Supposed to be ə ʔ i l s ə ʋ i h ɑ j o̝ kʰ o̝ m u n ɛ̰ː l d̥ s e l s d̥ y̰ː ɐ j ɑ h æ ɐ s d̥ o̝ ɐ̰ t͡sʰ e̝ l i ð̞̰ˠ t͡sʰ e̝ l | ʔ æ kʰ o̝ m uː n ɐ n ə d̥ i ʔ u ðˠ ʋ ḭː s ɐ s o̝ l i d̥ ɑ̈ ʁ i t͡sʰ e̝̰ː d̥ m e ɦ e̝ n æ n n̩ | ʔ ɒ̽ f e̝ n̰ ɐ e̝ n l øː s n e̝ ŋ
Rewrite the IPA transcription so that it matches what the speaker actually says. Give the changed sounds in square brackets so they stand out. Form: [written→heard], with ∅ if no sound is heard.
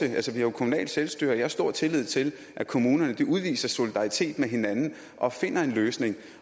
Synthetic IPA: ə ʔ [i→æ] l s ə ʋ i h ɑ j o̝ kʰ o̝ m u n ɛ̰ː l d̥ s e l s d̥ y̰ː ɐ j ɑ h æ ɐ s d̥ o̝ ɐ̰ t͡sʰ e̝ l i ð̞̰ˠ t͡sʰ e̝ l | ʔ æ kʰ o̝ m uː n ɐ n ə d̥ i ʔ u ðˠ ʋ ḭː s ɐ s o̝ l i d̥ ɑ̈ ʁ i t͡sʰ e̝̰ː d̥ m e ɦ e̝ n æ n n̩ | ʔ ɒ̽ f e̝ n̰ ɐ e̝ n l øː s n e̝ ŋ